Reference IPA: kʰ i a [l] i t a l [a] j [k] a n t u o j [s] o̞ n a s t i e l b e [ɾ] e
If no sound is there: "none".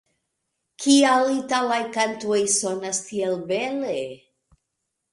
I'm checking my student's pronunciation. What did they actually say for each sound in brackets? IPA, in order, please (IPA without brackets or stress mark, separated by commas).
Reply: l, a, k, s, l